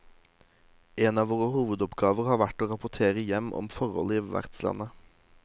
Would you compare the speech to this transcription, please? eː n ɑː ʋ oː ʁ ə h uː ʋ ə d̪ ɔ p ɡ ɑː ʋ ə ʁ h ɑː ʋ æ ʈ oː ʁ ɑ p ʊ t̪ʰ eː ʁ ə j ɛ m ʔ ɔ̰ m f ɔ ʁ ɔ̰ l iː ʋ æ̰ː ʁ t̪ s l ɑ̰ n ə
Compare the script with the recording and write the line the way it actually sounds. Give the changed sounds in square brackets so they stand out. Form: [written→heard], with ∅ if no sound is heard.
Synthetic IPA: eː n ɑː ʋ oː ʁ ə h uː ʋ ə d̪ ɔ p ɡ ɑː ʋ ə ʁ h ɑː ʋ æ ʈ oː ʁ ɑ p ʊ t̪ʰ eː ʁ ə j ɛ m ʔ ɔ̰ m f ɔ ʁ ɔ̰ l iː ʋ [æ̰ː→æ̰] ʁ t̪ s l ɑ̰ n ə